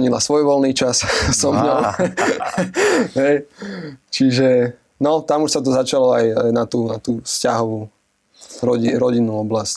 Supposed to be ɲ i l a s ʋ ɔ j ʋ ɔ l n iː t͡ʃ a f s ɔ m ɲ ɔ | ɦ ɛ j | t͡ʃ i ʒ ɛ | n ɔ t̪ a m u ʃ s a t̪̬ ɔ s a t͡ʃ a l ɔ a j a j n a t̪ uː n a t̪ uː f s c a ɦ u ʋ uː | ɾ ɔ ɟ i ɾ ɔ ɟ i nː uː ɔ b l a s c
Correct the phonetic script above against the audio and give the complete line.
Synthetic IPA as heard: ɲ i l a s ʋ ɔ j ʋ ɔ l n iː t͡ʃ a s s ɔ m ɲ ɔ | ɦ ɛ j | t͡ʃ i ʒ ɛ | n ɔ t̪ a m u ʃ s a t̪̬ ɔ z a t͡ʃ a l ɔ a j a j n a t̪ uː n a t̪ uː f s c a ɦ ɔ ʋ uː | ɾ ɔ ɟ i ɾ ɔ ɟ i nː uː ɔ b l a s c